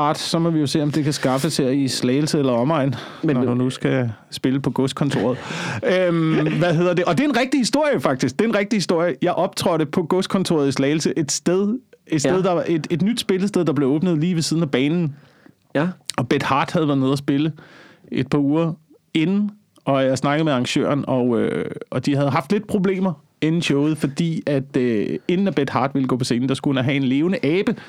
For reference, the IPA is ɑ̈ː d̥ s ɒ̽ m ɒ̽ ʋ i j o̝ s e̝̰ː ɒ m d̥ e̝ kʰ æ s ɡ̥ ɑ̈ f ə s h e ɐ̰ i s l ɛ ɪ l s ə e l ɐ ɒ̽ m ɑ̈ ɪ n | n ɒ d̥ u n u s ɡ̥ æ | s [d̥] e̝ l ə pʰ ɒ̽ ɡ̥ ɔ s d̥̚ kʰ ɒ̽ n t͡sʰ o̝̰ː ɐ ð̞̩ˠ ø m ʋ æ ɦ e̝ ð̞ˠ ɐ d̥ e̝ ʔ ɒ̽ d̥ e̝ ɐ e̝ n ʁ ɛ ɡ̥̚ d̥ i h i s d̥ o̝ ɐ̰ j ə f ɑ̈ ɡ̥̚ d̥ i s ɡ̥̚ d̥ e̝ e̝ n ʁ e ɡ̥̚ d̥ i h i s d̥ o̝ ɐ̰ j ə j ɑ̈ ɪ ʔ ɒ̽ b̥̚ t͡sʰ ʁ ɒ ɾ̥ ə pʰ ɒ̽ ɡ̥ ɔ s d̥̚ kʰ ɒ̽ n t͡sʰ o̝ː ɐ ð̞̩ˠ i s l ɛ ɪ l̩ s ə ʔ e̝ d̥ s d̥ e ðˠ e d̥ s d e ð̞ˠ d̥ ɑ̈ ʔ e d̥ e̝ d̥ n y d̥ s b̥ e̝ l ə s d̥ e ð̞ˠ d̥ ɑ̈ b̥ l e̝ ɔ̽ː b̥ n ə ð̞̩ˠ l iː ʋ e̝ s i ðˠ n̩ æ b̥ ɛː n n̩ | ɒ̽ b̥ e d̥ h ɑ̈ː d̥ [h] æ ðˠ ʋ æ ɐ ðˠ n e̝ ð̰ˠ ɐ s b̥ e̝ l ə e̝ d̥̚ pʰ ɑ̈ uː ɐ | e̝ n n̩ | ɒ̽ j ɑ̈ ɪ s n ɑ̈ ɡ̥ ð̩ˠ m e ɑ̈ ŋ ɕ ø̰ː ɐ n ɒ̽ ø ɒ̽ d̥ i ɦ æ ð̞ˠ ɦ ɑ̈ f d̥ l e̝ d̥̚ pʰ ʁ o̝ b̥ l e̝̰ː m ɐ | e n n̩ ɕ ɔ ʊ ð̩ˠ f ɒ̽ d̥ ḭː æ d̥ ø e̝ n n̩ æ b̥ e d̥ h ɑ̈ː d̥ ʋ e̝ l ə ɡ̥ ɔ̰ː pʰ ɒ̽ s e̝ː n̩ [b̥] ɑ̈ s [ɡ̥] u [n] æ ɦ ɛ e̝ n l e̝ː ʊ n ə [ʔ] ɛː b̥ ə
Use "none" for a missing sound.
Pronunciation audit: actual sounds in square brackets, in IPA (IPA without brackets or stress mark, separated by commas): b̥, h, d̥, ɡ̥, n, ʔ